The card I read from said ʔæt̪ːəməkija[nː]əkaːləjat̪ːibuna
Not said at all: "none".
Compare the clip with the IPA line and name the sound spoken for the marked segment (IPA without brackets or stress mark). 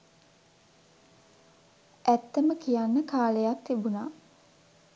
nː